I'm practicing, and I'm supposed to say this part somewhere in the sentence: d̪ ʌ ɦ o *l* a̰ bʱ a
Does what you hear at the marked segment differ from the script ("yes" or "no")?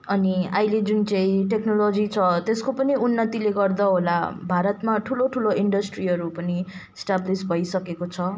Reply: no